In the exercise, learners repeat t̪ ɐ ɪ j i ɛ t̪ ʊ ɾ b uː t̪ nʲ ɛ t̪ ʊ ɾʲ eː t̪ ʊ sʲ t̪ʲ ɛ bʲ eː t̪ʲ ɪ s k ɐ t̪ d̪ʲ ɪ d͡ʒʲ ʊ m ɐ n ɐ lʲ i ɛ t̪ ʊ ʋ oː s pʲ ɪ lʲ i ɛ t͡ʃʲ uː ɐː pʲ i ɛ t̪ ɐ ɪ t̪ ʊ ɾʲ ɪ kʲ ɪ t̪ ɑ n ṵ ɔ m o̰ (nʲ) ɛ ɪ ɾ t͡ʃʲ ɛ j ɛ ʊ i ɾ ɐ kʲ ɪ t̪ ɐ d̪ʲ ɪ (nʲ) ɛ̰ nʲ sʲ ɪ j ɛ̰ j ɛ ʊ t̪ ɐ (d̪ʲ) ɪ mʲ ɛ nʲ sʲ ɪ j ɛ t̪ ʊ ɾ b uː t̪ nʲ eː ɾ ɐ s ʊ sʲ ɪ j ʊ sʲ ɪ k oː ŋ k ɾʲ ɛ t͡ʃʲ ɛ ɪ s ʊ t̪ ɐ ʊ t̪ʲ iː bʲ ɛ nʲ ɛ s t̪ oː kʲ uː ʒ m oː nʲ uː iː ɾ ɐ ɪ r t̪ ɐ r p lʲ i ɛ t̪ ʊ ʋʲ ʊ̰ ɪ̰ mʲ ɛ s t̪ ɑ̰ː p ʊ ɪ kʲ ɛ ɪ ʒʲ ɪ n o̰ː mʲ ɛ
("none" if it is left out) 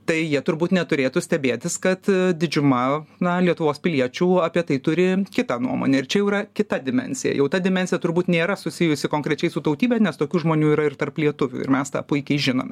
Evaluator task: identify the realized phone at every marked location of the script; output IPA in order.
nʲ, mʲ, d̪ʲ

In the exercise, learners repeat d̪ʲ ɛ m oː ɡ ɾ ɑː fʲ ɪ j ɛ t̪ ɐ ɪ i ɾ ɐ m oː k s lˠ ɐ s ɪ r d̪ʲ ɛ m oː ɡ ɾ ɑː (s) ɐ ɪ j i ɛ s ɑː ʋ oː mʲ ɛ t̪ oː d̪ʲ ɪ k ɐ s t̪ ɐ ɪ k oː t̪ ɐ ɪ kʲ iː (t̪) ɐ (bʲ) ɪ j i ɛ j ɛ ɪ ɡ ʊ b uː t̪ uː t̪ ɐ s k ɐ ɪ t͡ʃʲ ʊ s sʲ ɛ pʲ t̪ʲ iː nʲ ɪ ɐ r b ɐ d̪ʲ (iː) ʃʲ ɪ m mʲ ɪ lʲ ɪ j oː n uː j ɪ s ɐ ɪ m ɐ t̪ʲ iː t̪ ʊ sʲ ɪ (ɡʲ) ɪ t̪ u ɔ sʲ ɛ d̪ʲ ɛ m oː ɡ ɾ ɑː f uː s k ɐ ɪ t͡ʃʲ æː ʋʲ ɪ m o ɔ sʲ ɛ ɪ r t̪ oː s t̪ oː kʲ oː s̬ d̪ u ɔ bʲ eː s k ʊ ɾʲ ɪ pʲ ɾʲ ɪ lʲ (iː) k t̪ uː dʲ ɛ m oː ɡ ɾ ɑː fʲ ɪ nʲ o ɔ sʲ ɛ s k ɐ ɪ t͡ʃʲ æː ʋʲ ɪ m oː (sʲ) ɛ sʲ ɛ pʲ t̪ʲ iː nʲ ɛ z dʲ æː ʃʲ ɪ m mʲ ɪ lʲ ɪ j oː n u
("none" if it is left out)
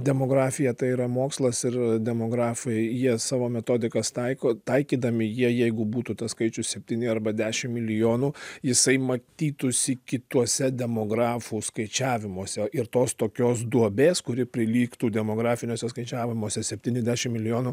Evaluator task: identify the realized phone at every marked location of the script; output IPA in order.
f, d̪, mʲ, æː, kʲ, iː, sʲ

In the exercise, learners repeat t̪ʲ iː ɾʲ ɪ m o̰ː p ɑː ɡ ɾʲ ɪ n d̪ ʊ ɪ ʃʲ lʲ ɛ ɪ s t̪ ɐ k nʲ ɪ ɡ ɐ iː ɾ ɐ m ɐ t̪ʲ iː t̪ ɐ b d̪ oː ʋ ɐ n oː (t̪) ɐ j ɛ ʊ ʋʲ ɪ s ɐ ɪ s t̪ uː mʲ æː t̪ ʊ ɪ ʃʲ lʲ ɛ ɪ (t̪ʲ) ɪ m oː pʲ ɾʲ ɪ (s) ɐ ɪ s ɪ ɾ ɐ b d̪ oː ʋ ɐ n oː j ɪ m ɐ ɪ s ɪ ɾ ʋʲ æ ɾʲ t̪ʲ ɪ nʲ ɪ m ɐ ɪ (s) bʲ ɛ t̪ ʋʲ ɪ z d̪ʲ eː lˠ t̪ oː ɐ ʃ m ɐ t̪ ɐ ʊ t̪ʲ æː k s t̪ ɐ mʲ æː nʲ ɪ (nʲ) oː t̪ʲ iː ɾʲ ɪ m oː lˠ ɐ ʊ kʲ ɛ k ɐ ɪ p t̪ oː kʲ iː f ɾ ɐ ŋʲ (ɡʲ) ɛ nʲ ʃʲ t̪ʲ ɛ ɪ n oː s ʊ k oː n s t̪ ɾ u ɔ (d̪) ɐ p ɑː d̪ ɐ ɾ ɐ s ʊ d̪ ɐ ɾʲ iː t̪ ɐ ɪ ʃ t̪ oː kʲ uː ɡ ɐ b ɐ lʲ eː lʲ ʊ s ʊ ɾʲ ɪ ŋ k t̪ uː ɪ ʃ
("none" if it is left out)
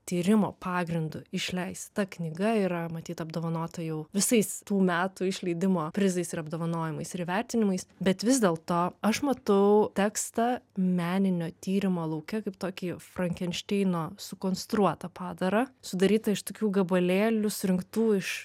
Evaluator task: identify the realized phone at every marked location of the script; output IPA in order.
t̪, d̪ʲ, z, s, nʲ, kʲ, t̪

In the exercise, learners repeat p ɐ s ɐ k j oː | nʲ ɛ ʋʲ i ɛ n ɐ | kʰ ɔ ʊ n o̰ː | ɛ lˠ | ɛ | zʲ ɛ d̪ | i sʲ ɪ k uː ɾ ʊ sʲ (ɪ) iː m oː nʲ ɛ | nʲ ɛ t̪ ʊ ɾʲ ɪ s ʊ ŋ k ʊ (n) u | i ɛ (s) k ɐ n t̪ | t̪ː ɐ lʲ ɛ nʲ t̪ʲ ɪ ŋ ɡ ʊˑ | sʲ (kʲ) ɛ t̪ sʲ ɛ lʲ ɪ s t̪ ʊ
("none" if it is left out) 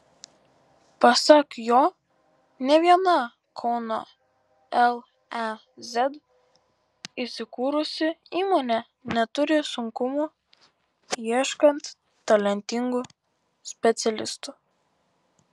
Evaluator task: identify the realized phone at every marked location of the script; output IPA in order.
ɪ, m, ʃ, pʲ

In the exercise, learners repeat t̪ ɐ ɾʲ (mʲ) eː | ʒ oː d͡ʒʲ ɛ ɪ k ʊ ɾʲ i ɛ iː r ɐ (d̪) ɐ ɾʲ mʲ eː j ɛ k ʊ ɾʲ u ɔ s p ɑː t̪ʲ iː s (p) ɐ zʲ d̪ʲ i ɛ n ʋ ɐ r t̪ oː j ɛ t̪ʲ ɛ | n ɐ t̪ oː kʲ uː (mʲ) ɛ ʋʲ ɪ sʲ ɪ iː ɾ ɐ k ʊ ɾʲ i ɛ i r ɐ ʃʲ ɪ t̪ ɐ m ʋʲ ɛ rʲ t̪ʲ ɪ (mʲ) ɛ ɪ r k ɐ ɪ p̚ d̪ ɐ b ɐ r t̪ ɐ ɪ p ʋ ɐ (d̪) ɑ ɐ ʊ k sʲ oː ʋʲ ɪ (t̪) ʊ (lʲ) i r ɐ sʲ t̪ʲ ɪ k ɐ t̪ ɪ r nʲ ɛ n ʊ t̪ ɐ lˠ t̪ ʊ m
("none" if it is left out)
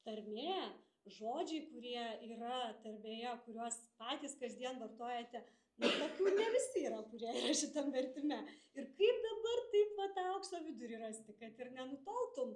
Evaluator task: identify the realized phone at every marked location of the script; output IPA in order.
mʲ, t̪, k, nʲ, mʲ, t̪, d̪, ɾʲ

